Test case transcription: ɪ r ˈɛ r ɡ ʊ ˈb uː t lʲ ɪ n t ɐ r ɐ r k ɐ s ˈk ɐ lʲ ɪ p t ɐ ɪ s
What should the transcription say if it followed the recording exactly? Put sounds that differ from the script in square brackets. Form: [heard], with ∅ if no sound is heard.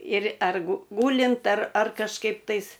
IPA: ɪ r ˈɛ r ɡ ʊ [ˈɡ] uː [∅] lʲ ɪ n t ɐ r ɐ r k ɐ [ʃ] ˈk ɐ [∅] ɪ p t ɐ ɪ s